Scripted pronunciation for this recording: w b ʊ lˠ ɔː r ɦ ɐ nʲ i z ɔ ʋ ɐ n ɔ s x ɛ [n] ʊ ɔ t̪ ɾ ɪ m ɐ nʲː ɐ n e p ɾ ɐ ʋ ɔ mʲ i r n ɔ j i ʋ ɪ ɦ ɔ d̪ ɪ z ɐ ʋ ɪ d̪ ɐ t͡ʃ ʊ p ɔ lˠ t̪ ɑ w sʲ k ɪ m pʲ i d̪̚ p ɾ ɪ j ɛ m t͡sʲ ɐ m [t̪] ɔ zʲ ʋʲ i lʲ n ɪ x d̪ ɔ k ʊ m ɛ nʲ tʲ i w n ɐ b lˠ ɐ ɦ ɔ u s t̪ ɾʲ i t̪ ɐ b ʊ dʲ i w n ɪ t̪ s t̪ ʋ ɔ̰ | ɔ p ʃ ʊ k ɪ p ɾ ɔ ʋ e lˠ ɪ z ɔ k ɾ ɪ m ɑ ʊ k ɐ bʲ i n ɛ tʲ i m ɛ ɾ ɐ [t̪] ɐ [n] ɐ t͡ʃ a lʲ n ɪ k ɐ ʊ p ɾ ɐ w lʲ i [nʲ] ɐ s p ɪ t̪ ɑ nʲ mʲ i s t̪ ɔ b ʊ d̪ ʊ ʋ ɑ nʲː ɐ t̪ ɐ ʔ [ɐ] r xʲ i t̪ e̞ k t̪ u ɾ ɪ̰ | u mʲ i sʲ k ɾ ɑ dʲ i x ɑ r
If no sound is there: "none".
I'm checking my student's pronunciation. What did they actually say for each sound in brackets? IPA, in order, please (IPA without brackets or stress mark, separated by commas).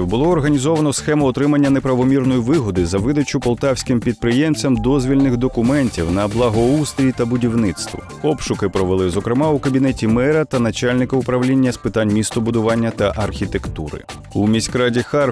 m, d̪, t̪, n, nʲː, ɐ